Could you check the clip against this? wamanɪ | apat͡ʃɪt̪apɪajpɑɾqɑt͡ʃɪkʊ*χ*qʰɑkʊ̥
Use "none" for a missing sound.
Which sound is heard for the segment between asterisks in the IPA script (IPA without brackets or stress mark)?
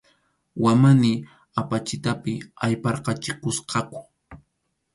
s